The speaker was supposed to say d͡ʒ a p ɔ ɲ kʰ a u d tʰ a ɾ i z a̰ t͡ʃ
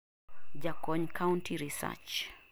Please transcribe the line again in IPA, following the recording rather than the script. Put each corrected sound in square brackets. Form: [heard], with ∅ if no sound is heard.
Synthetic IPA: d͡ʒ a [k] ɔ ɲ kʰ a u [n] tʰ [i] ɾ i [s] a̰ t͡ʃ